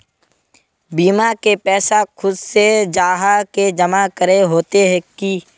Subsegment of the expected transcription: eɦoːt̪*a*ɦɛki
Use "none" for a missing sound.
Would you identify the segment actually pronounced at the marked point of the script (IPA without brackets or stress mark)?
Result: e